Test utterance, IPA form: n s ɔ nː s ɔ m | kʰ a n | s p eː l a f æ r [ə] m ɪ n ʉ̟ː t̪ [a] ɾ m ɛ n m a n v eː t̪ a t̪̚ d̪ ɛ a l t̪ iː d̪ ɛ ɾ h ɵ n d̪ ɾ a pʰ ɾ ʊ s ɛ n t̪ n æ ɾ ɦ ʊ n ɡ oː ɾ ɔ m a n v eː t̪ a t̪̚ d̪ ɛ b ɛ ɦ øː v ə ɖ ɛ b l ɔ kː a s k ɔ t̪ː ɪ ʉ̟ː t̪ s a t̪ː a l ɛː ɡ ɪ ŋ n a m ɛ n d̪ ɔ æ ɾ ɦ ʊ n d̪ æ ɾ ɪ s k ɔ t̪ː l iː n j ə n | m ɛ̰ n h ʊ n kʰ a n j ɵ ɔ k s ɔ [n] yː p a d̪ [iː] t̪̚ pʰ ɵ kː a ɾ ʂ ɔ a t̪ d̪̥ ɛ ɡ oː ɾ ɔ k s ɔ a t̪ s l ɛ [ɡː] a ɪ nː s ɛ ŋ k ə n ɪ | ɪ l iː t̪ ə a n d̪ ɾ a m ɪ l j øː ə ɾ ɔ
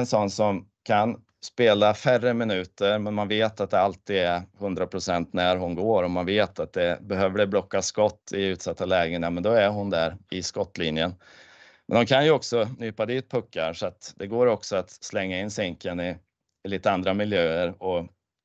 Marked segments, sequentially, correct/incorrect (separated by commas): correct, incorrect, correct, correct, incorrect